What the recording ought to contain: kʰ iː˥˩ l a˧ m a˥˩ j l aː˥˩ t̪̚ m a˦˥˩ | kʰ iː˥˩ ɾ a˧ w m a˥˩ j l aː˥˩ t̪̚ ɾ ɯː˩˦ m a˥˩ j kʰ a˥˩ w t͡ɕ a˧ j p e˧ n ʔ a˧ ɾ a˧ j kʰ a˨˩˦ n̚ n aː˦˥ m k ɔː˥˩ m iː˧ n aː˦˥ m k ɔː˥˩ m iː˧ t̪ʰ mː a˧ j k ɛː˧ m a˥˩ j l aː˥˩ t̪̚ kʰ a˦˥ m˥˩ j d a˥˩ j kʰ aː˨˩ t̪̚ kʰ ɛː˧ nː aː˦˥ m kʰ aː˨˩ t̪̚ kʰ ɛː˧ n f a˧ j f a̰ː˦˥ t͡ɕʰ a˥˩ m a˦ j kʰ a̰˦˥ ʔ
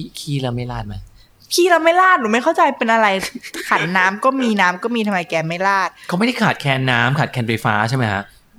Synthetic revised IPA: kʰ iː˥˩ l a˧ m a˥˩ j l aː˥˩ t̪̚ m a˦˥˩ | kʰ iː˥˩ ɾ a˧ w m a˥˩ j l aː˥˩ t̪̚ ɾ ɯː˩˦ m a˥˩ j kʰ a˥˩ w t͡ɕ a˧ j p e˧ n ʔ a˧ ɾ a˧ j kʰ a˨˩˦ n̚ n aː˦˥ m k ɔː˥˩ m iː˧ n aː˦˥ m k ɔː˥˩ m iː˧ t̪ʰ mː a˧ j k ɛː˧ m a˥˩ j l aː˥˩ t̪̚ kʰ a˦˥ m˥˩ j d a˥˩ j kʰ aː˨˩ t̪̚ kʰ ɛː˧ nː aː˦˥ m kʰ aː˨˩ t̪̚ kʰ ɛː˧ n f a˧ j f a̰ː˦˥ t͡ɕʰ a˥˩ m a˦ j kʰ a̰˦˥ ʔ